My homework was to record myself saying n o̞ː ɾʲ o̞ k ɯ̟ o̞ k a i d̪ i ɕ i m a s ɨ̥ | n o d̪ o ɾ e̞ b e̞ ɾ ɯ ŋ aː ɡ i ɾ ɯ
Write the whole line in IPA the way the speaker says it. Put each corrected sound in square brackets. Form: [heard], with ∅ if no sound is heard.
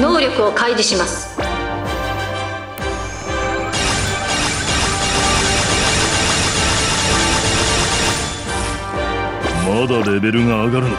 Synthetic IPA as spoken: n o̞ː ɾʲ o̞ k ɯ̟ o̞ k a i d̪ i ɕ i m a s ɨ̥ | [m] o d̪ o ɾ e̞ b e̞ ɾ ɯ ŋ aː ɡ [a] ɾ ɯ